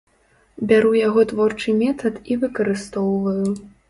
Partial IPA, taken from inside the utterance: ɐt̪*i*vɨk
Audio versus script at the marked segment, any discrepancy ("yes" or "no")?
no